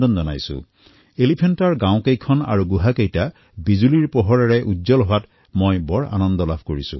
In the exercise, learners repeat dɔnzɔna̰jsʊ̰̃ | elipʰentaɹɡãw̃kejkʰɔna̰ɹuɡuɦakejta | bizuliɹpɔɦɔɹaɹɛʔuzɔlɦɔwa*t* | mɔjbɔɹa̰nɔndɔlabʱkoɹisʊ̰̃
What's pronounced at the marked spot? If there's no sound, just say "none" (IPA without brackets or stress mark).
t